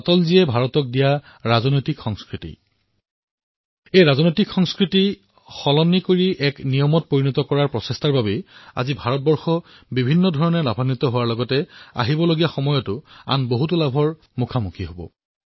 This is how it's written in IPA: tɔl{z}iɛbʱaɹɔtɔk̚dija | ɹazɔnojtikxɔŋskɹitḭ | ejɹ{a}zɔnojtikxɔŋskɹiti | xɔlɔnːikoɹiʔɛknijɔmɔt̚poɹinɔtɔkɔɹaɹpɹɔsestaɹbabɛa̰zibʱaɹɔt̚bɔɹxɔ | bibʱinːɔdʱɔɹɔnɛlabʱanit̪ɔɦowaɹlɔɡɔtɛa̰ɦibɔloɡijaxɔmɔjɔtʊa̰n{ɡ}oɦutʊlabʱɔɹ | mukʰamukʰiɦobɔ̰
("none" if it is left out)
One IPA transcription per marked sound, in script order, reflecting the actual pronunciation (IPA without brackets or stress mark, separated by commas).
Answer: z, a, b